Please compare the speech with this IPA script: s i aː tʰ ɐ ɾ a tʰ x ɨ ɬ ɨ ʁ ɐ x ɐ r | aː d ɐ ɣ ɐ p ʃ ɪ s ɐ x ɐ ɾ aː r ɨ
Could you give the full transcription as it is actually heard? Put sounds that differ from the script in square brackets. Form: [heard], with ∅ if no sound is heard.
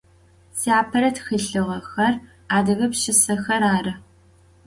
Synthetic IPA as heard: s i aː [pʰ] ɐ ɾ [ɐ] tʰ x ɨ ɬ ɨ ʁ ɐ x ɐ r | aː d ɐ ɣ ɐ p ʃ ɪ s ɐ x ɐ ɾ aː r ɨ